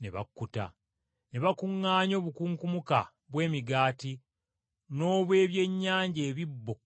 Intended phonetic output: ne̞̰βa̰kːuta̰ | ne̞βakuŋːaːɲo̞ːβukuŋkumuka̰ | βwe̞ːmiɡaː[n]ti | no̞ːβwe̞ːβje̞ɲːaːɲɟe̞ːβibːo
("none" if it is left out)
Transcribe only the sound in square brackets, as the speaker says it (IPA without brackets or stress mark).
none